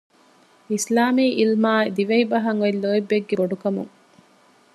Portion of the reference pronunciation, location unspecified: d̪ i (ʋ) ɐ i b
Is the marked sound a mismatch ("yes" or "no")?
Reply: no